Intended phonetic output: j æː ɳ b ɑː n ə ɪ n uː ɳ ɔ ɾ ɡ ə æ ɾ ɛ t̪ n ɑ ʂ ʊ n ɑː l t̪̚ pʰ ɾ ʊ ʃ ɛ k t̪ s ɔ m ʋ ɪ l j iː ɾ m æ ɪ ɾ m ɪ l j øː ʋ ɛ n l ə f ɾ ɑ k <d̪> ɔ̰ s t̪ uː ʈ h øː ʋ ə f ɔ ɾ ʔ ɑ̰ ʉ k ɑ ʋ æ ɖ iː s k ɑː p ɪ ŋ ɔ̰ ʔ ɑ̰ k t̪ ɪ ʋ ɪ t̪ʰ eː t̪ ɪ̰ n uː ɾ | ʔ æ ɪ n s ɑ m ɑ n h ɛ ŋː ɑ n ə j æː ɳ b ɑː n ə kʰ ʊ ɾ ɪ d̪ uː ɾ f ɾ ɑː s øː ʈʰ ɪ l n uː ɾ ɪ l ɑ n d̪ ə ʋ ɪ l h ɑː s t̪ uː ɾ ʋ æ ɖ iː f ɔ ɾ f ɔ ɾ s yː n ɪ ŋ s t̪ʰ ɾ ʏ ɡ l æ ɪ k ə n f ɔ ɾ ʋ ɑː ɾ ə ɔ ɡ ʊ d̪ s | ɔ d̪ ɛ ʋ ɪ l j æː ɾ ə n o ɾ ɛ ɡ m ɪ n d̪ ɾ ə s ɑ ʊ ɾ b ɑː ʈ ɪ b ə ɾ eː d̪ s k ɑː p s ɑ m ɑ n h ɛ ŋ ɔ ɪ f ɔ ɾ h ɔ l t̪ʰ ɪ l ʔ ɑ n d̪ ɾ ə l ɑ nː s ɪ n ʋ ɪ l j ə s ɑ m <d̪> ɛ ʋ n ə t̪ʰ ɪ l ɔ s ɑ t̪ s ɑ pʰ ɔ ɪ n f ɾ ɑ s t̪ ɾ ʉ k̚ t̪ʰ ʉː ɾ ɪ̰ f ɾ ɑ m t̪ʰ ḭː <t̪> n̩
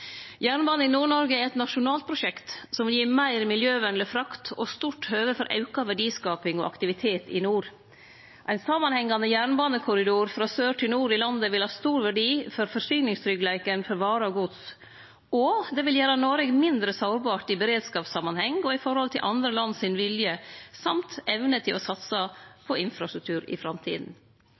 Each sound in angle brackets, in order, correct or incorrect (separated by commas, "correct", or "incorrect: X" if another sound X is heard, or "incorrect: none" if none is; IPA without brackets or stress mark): incorrect: t̪, incorrect: t̪, incorrect: d̪